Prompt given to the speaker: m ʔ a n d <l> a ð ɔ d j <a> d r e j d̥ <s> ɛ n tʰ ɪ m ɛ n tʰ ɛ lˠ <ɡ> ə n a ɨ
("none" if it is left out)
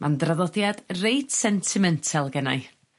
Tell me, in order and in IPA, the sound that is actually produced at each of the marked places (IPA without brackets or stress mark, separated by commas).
r, a, s, ɡ